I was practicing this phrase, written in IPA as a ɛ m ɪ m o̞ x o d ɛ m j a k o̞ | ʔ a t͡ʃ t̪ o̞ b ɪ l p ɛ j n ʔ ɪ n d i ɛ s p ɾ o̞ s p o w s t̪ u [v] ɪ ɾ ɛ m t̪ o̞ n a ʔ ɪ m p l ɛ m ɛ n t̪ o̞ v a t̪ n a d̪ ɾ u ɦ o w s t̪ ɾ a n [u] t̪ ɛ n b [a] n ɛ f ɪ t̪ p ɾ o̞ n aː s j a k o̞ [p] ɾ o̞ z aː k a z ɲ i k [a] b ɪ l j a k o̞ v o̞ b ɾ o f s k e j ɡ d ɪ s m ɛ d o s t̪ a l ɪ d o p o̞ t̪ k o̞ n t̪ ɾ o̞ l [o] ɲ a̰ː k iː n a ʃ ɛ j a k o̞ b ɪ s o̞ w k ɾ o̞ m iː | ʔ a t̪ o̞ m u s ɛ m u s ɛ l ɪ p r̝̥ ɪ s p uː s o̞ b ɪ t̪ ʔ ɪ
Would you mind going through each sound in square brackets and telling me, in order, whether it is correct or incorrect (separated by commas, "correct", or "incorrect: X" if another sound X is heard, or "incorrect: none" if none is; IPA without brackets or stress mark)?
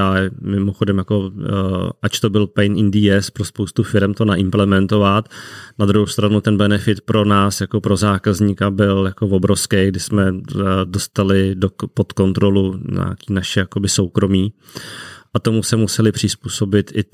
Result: incorrect: f, correct, incorrect: ɛ, correct, correct, incorrect: u